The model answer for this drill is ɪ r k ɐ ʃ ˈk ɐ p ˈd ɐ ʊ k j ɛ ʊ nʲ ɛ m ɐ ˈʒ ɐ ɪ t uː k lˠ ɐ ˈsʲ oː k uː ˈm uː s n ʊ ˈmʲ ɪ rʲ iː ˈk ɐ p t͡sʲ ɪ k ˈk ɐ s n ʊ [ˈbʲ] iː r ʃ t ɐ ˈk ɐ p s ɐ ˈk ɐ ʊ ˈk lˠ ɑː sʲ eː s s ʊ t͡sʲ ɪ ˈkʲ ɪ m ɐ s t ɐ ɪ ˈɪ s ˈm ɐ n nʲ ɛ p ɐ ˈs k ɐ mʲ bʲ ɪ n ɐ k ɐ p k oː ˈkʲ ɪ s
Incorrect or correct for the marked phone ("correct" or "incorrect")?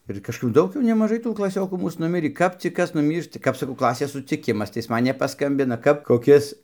incorrect